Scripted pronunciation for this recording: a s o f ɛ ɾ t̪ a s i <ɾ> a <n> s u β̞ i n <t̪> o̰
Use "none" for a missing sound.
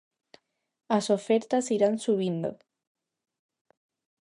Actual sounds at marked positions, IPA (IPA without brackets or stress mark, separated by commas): ɾ, n, d̪